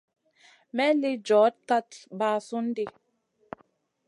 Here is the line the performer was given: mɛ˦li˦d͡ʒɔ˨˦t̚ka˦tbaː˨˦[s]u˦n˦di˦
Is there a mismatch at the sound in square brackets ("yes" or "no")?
no